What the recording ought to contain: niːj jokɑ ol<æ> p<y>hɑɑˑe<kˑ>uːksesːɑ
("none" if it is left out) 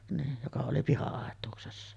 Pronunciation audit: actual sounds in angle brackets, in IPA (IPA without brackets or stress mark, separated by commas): i, i, tˑ